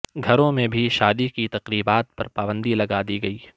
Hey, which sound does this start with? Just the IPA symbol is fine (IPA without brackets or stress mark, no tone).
ɡʱ